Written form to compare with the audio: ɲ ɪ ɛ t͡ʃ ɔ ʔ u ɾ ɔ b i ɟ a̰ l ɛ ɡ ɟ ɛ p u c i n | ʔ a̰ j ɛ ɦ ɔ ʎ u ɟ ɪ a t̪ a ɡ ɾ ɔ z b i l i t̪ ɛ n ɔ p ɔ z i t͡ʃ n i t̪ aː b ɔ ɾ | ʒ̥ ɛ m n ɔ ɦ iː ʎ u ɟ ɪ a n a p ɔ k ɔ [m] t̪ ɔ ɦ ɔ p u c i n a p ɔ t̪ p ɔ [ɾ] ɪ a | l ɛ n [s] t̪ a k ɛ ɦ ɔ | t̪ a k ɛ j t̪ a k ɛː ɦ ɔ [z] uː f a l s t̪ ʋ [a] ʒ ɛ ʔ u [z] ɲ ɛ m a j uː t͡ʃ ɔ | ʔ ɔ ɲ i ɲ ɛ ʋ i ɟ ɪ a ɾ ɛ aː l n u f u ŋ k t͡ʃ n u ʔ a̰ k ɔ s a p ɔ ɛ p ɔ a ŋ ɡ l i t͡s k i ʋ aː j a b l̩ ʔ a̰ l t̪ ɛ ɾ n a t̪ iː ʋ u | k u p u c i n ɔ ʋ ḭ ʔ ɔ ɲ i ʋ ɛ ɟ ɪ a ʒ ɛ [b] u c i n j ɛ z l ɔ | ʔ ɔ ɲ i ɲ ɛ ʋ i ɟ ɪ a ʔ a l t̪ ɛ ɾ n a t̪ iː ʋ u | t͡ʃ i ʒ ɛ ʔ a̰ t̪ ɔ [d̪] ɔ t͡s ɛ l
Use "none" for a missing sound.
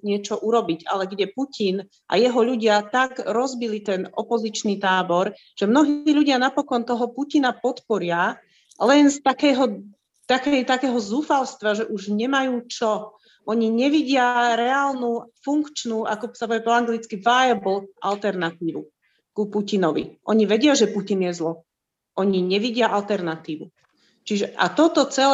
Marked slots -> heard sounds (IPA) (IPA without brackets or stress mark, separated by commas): n, ɾ, s, z, a, ʒ, p, t̪